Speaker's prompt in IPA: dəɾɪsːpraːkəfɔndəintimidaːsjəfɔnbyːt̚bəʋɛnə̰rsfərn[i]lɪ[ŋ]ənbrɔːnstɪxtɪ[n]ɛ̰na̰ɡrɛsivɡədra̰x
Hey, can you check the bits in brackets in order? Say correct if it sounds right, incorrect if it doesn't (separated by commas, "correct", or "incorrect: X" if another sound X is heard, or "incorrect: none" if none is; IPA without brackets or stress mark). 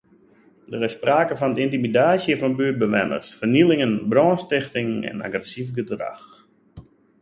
correct, correct, incorrect: ŋ